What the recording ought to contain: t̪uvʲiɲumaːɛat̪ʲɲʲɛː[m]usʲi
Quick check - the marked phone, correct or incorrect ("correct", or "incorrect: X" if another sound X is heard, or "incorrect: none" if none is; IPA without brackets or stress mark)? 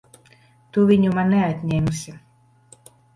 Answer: correct